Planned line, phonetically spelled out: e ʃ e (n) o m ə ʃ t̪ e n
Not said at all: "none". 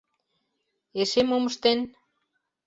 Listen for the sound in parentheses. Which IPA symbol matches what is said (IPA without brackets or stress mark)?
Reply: m